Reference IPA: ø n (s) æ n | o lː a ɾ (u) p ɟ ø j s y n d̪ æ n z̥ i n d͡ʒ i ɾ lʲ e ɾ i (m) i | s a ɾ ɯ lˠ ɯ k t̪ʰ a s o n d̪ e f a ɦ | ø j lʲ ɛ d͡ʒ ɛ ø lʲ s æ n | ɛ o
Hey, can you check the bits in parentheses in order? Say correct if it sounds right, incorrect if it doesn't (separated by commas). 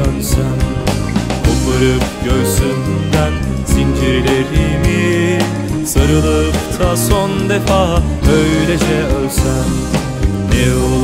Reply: correct, incorrect, correct